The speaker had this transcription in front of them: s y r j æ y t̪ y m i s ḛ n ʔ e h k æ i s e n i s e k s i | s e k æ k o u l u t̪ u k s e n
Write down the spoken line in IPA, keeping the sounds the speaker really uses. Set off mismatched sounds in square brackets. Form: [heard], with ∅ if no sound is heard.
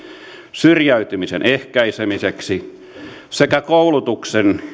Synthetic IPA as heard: s y r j æ y t̪ y m i s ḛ n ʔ e h k æ i s e [m] i s e k s i | s e k æ k o u l u t̪ u k s e n